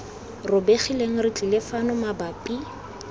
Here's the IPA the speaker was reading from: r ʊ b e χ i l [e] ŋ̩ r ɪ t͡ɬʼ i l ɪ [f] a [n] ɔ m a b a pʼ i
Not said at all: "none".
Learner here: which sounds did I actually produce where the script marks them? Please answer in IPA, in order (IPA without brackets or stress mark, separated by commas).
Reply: e, f, n